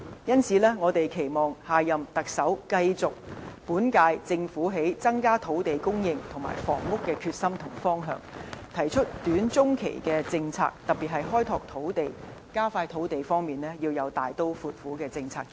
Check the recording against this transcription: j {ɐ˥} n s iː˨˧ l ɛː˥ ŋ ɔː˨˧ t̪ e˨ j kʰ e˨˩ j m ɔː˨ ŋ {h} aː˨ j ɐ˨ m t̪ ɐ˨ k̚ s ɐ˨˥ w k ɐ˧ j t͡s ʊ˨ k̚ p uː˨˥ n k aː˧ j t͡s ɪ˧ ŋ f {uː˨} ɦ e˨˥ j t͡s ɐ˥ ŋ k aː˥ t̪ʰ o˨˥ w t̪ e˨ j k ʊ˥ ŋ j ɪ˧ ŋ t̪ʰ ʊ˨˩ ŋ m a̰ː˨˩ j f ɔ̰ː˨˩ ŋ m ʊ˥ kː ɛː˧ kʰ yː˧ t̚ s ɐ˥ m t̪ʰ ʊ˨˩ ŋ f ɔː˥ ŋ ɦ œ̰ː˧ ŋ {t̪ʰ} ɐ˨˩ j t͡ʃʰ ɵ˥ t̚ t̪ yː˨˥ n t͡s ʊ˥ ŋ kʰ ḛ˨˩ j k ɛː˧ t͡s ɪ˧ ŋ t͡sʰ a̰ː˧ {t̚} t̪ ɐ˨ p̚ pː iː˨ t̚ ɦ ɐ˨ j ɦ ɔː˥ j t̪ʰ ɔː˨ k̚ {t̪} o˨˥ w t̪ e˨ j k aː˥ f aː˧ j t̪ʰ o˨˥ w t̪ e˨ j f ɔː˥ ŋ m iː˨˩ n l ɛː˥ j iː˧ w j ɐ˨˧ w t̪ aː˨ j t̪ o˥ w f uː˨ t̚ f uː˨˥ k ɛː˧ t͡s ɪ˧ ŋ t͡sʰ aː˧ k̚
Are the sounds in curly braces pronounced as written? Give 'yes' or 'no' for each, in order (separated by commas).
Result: yes, yes, no, yes, no, no